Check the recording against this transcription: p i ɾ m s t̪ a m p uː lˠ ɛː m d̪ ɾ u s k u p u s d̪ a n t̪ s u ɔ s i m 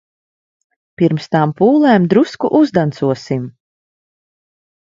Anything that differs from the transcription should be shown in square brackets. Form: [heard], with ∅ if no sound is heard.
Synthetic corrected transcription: p i ɾ m s t̪ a m p uː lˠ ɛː m d̪ ɾ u s k u [ʔ] u [z] d̪ a n t̪ s u ɔ s i m